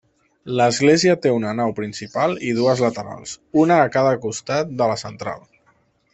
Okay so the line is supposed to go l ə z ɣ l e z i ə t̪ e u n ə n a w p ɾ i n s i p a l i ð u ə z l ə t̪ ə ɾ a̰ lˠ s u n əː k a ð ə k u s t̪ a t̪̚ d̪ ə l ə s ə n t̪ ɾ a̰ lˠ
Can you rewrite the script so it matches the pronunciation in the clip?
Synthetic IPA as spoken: l ə z ɣ l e z i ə t̪ e u n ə n a w p ɾ i n s i p a l i ð u ə z l ə t̪ ə ɾ a̰ lˠ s u n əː k a ð ə k u s t̪ a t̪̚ d̪ ə l ə s ə n t̪ ɾ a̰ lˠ

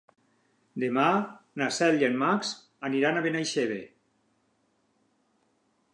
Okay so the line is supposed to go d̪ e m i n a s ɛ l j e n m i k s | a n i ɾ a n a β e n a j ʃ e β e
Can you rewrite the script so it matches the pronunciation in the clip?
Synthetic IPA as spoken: d̪ e m a n a s ɛ l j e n m a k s | a n i ɾ a n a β e n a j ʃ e β e

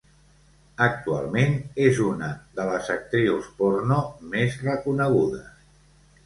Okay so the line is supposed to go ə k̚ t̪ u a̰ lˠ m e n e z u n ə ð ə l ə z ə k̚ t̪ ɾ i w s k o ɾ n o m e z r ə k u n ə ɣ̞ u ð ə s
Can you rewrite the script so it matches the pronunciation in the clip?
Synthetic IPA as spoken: ə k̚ t̪ u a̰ lˠ m e n e z u n ə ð ə l ə z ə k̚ t̪ ɾ i w s p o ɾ n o m e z r ə k u n ə ɣ̞ u ð ə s

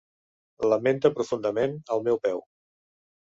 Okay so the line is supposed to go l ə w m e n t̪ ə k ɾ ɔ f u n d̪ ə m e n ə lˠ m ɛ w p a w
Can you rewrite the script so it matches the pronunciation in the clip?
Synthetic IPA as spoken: l ə m e n t̪ ə p ɾ u f u n d̪ ə m e n ə lˠ m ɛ w p ɛ w

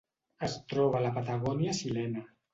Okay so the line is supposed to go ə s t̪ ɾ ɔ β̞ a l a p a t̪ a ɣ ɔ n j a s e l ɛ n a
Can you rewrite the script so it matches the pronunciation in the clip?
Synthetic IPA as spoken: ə s t̪ ɾ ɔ β̞ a l a p a t̪ a ɣ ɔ n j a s i l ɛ n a

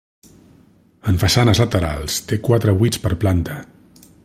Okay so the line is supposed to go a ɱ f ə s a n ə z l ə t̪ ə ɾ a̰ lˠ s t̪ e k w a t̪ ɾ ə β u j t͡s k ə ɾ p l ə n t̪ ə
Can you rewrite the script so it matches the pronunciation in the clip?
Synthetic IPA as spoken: ə ɱ f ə s a n ə z l ə t̪ ə ɾ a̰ lˠ s t̪ e k w a t̪ ɾ ə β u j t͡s p ə ɾ p l a n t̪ ə

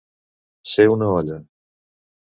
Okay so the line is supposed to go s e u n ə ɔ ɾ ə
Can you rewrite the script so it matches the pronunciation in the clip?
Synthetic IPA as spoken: s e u n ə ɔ ʎ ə

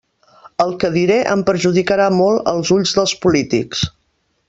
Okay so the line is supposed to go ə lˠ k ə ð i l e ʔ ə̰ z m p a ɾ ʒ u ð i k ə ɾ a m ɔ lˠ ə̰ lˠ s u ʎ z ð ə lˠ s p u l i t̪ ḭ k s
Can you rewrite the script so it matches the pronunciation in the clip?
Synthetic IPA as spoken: ə lˠ k ə ð i ɾ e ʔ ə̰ m p ə ɾ ʒ u ð i k ə ɾ a m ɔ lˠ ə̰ lˠ z u ʎ z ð ə lˠ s p u l i t̪ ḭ k s

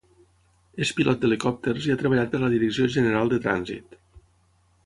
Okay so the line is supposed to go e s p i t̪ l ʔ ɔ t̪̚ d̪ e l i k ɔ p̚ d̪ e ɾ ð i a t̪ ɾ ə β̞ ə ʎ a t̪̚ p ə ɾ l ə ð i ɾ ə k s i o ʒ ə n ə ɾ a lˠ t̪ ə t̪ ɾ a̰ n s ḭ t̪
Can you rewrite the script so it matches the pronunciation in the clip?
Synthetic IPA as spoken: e s p i l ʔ ɔ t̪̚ d̪ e l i k ɔ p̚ t̪ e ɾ z i a t̪ ɾ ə β̞ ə ʎ a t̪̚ p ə ɾ l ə ð i ɾ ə k s i o ʒ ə n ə ɾ a lˠ d̪ ə t̪ ɾ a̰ n z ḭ t̪

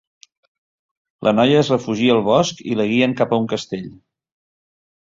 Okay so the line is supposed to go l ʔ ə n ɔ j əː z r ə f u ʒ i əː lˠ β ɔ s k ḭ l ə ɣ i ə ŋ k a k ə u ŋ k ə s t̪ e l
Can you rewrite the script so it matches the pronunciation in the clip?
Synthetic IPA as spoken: l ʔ ə n ɔ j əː z r ə f u ʒ i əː lˠ β ɔ s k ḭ l ə ɣ i ə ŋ k a p ə u ŋ k ə s t̪ e ʎ

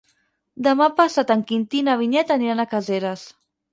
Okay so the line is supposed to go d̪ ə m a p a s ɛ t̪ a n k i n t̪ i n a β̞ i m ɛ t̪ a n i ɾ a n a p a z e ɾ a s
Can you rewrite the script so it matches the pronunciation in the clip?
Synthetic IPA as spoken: d̪ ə m a p a s a t̪ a ŋ k i n t̪ i n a β̞ i ɲ ɛ t̪ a n i ɾ a n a k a z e ɾ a s

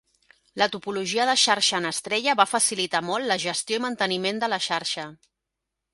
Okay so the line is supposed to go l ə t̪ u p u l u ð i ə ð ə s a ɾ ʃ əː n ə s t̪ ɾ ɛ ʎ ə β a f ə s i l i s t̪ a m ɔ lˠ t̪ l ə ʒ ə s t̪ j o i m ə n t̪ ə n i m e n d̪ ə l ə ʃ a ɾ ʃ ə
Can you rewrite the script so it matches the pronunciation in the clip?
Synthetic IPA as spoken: l ə t̪ u p u l u ʒ i ə ð ə ʃ a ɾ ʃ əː n ə s t̪ ɾ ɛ ʎ ə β a f ə s i l i t̪ a m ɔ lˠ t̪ l ə ʒ ə s t̪ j o i m ə n t̪ ə n i m e n d̪ ə l ə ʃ a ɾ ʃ ə

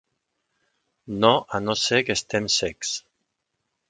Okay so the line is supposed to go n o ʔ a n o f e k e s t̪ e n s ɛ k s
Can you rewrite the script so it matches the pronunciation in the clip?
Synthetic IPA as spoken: n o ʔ a n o s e k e s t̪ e m s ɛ k s

